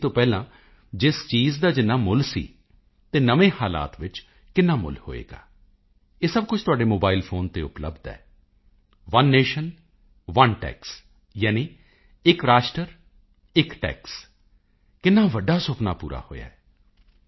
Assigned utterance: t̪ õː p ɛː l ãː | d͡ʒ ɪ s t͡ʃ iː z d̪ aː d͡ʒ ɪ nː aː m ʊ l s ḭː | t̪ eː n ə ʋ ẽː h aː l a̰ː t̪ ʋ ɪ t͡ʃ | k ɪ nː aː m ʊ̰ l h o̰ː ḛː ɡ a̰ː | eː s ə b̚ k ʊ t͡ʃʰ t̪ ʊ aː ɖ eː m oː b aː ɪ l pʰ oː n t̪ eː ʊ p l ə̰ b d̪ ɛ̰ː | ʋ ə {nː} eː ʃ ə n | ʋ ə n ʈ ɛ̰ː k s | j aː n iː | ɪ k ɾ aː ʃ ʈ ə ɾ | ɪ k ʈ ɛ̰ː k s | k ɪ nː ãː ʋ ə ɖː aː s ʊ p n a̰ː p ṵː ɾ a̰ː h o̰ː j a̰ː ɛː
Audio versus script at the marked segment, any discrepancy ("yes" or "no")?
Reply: no